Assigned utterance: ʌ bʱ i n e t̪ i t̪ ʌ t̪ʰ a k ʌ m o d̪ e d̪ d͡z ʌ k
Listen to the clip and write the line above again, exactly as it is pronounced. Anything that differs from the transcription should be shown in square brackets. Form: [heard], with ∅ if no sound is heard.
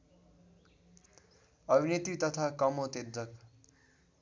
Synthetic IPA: ʌ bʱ i n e t̪ i t̪ ʌ t̪ʰ a k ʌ m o [t̪] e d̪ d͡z ʌ k